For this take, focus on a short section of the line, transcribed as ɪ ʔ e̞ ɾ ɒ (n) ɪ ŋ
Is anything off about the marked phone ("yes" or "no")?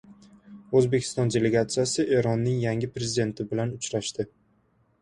yes